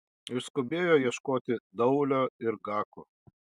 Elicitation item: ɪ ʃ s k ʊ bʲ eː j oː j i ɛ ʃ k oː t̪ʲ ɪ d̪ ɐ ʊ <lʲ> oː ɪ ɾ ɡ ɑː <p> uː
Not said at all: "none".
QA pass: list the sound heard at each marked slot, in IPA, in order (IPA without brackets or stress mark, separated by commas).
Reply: lʲ, k